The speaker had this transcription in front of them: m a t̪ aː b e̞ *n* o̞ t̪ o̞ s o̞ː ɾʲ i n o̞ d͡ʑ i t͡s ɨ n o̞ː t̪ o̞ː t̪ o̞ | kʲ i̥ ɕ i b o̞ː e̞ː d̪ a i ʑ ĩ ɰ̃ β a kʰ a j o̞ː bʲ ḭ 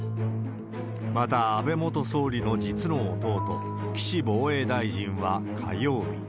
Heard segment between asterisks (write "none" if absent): m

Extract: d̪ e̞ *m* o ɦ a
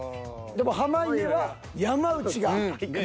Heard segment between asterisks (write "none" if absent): m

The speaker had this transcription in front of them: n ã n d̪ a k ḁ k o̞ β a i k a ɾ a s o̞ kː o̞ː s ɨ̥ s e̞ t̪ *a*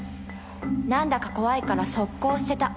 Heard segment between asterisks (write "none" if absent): a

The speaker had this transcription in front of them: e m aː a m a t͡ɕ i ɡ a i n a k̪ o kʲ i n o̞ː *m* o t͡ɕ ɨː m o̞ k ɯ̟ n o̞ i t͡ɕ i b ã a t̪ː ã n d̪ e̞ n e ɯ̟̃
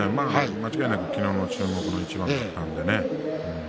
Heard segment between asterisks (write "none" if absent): n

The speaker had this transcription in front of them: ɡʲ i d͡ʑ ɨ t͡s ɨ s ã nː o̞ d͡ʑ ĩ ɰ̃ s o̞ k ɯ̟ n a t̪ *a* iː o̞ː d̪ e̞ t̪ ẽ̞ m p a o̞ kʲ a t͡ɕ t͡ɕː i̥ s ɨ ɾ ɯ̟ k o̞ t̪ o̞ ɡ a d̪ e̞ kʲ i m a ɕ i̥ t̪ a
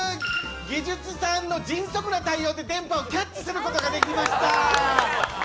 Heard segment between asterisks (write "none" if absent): a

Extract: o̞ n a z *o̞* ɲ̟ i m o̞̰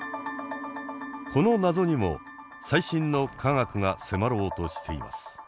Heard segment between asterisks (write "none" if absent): o̞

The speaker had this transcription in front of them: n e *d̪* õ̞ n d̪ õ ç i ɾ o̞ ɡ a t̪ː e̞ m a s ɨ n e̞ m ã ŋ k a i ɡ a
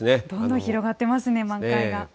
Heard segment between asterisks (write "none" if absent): d̪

